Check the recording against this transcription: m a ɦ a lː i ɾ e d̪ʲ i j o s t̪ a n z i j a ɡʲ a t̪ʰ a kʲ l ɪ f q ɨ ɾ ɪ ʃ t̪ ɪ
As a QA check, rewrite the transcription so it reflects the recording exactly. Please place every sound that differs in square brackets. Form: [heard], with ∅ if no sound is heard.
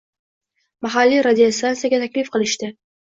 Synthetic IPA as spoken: m a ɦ a lː i ɾ [a] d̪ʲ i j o s t̪ a n [s] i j a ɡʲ a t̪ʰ a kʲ l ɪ f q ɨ [l] ɪ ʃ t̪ ɪ